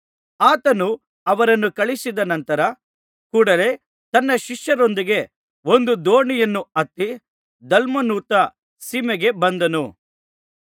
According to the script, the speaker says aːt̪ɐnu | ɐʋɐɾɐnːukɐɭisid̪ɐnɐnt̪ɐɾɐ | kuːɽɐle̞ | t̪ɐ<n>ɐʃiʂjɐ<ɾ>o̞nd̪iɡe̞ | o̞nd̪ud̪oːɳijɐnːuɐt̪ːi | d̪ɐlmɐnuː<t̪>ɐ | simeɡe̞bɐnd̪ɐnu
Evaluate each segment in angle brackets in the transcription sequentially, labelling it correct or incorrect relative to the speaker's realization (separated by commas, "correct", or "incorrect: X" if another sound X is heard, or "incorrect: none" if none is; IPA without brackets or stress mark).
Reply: incorrect: nː, correct, correct